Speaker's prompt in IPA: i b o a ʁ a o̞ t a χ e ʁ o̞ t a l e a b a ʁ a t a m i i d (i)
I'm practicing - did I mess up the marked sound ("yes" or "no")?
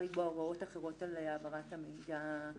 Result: yes